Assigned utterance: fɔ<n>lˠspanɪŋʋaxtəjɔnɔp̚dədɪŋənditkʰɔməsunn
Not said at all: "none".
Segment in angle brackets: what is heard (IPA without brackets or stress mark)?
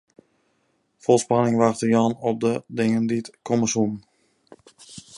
none